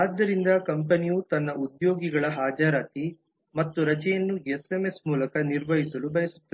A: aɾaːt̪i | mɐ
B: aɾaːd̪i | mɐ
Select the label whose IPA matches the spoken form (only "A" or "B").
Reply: A